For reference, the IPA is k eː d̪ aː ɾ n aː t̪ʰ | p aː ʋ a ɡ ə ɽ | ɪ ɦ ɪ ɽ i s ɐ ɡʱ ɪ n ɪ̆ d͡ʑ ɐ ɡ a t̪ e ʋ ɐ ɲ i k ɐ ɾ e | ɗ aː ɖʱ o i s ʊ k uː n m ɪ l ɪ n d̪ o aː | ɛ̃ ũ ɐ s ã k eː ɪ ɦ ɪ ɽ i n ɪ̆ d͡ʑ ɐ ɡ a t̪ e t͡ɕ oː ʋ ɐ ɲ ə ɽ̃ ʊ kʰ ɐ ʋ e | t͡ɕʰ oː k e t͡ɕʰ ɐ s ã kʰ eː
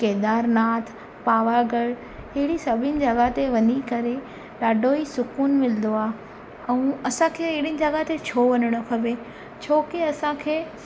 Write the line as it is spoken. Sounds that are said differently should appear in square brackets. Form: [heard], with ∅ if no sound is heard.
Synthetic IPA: k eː d̪ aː ɾ n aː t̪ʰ | p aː ʋ a ɡ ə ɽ | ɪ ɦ ɪ ɽ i s ɐ [bʱ] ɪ n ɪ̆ d͡ʑ ɐ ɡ a t̪ e ʋ ɐ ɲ i k ɐ ɾ e | ɗ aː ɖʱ o i s ʊ k uː n m ɪ l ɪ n d̪ o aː | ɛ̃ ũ ɐ s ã [kʰ] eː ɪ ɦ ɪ ɽ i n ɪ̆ d͡ʑ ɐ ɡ a t̪ e [t͡ɕʰ] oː ʋ ɐ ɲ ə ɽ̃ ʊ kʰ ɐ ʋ e | t͡ɕʰ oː k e [∅] ɐ s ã kʰ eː